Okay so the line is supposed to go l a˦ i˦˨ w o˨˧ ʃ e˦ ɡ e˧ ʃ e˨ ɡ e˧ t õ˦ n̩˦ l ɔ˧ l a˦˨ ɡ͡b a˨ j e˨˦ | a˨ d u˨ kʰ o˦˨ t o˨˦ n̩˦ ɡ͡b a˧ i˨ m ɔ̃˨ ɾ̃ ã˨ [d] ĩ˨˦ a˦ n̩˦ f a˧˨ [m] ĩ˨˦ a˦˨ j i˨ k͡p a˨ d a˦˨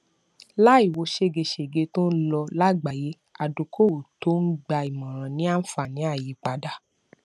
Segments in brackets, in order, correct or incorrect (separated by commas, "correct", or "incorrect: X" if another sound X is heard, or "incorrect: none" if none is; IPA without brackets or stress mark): incorrect: n, incorrect: n